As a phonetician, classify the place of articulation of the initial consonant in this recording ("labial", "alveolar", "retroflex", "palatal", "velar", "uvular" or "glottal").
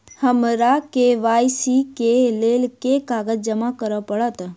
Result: glottal